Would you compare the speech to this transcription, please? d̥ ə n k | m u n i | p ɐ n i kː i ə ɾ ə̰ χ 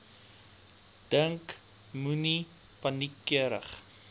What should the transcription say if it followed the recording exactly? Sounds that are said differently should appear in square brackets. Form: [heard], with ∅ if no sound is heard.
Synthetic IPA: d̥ ə [ŋ] k | m u n i | p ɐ n i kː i ə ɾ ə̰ χ